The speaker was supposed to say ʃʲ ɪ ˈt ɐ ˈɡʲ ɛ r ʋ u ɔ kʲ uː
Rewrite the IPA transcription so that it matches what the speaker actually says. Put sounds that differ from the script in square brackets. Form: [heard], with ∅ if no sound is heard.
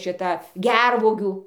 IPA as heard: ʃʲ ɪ ˈt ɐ ˈɡʲ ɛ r ʋ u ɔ [ɡʲ] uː